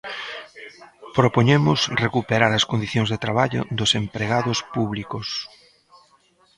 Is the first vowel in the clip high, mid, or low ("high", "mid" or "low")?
mid